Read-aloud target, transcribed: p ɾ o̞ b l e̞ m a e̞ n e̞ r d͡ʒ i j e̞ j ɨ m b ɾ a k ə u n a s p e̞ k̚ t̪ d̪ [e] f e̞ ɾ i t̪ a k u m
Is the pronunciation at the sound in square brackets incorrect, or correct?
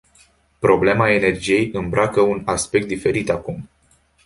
incorrect